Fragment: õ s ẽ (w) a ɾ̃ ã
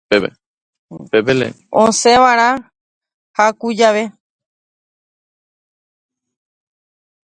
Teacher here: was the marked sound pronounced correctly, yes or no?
no